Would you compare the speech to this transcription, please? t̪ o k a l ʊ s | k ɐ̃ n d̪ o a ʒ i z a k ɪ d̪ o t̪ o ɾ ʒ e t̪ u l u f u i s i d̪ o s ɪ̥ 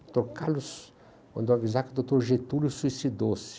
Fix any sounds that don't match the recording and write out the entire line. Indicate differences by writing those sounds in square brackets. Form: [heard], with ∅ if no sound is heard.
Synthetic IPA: t̪ o k a l ʊ s | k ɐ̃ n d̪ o a [v] i z a k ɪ d̪ o t̪ o ɾ ʒ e t̪ u l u [s] u i s i d̪ o s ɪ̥

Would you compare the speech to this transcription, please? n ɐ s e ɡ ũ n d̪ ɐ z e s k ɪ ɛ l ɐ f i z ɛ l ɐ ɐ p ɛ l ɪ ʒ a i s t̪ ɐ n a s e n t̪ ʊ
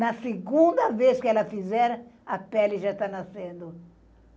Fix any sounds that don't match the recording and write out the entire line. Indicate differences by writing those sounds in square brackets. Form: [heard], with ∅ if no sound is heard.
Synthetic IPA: n ɐ s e ɡ ũ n d̪ ɐ [v] e s k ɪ ɛ l ɐ f i z ɛ [ɾ] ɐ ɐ p ɛ l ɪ ʒ a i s t̪ [a] n a s [ẽ] n [d̪] ʊ

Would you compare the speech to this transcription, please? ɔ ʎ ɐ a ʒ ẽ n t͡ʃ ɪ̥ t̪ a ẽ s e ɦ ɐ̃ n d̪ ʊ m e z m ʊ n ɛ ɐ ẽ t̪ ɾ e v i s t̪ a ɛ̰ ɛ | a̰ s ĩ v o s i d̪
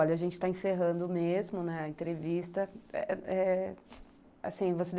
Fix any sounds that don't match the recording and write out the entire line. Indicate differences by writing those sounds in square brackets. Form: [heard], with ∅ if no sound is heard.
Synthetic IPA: ɔ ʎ ɐ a ʒ ẽ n t͡ʃ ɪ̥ t̪ a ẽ s e ɦ ɐ̃ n d̪ ʊ m e z m ʊ n ɛ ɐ ẽ t̪ ɾ e v i s t̪ [ɐ] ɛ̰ ɛ | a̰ s ĩ v o s [e] d̪

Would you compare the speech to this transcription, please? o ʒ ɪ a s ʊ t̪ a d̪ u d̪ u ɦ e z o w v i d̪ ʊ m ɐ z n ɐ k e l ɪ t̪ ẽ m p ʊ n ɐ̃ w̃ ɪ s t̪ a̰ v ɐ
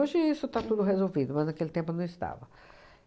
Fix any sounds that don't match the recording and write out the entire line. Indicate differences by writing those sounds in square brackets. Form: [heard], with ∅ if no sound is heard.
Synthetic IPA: o ʒ ɪ [i] s ʊ t̪ a [t̪] u d̪ [ʊ] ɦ e z o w v i d̪ ʊ m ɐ z n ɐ k e l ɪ t̪ ẽ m p ʊ n ɐ̃ w̃ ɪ s t̪ a̰ v ɐ

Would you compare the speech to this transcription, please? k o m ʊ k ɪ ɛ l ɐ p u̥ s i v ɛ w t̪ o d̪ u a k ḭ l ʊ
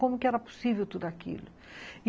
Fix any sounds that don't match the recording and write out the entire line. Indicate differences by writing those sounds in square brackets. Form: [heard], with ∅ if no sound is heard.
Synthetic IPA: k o m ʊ k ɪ ɛ [ɾ] ɐ p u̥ s i v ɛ w t̪ [u] d̪ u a k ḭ l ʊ

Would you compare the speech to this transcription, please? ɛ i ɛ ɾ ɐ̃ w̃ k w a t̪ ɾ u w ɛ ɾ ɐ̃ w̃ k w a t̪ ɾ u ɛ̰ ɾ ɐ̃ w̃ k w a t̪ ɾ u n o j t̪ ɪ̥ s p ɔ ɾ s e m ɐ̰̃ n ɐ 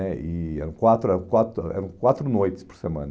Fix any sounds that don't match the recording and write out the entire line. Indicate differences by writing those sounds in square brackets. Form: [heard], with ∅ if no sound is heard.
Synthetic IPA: ɛ i ɛ ɾ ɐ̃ w̃ k w a t̪ ɾ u [∅] ɛ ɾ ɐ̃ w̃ k w a t̪ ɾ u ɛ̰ ɾ ɐ̃ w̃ k w a t̪ ɾ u n o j t̪ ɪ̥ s p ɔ ɾ s e m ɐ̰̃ n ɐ

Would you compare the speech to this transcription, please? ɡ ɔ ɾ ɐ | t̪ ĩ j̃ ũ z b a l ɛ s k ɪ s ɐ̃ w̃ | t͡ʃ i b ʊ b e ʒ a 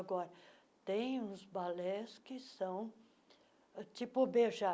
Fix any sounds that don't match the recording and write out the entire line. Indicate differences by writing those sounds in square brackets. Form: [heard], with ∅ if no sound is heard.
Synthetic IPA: ɡ ɔ ɾ ɐ | t̪ [ẽ] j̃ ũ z b a l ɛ s k ɪ s ɐ̃ w̃ | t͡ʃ i [p] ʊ b e ʒ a

